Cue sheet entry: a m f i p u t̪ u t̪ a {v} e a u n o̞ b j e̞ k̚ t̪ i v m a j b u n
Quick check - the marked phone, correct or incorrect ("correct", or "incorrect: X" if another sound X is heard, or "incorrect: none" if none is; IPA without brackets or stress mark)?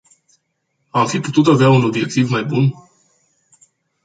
correct